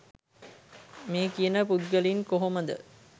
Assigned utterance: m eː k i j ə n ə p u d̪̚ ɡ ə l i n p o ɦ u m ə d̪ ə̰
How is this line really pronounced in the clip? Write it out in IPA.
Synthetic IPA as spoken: m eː k i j ə n ə p u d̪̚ ɡ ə l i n k o ɦ o m ə d̪ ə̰